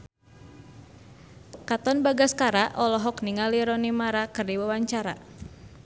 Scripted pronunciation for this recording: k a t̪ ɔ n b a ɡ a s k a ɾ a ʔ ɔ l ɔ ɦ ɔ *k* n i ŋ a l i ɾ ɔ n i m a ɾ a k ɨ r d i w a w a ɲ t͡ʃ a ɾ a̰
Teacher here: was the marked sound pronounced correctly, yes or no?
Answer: yes